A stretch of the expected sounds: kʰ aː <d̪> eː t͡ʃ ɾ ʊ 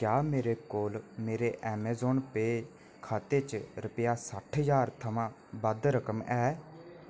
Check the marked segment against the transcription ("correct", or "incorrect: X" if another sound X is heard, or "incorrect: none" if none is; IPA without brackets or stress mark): incorrect: t̪